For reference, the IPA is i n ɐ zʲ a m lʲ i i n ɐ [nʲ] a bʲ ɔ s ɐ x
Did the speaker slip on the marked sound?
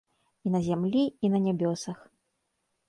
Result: no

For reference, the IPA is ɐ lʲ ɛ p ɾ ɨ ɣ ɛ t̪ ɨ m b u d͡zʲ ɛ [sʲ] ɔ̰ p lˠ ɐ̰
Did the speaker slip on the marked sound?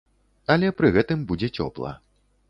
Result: yes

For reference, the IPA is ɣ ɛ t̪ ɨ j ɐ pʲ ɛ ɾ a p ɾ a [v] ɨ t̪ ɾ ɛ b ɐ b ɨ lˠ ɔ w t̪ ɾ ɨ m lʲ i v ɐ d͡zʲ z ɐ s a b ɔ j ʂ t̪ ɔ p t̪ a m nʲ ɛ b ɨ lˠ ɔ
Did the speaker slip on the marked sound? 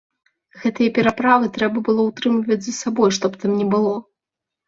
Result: no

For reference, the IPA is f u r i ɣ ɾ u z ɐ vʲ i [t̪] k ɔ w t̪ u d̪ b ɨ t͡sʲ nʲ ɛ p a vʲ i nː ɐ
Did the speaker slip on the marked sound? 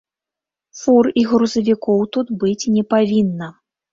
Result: yes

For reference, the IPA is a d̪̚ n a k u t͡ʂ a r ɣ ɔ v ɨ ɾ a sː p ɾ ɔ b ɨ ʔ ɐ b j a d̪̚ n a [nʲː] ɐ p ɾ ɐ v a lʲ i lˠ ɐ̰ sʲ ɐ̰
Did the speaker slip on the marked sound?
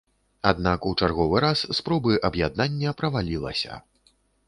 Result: no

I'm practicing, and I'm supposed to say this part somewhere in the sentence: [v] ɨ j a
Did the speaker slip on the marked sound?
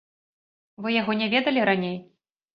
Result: no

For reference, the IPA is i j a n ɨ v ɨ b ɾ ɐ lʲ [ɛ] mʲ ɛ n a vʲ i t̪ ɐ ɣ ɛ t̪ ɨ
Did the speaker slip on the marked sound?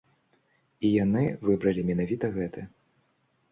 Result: yes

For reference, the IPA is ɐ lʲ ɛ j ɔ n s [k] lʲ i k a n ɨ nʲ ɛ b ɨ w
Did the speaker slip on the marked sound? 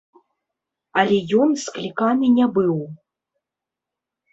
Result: no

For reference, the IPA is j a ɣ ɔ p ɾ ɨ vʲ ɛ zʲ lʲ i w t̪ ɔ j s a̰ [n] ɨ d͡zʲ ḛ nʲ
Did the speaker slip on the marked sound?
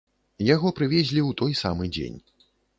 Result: yes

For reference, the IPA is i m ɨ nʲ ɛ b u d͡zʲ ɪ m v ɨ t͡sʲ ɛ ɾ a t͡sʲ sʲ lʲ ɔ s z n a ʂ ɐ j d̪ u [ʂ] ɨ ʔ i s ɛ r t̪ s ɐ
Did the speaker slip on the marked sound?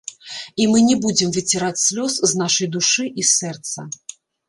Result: no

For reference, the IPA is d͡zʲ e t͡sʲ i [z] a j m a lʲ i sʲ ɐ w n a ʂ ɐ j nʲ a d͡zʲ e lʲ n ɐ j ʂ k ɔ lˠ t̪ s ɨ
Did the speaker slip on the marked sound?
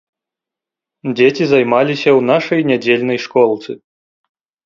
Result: no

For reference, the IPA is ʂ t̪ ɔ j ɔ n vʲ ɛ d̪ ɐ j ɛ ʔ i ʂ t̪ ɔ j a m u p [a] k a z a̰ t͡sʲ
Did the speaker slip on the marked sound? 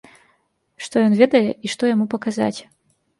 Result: yes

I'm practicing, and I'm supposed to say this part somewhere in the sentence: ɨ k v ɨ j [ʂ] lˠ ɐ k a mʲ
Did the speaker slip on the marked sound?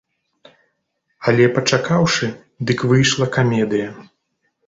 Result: no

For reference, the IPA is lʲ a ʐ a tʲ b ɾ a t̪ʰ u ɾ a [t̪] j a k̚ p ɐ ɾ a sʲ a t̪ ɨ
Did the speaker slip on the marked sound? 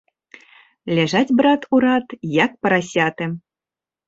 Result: no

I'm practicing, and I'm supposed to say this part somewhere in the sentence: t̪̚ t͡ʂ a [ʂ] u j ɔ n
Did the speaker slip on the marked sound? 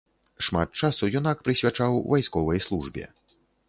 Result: yes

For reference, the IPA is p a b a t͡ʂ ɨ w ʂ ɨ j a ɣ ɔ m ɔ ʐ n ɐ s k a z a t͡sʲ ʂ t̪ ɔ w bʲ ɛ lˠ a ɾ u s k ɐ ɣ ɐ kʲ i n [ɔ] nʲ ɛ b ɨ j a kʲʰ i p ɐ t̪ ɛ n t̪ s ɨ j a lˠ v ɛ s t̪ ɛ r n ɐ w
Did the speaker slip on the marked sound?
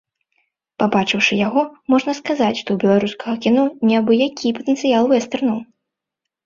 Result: no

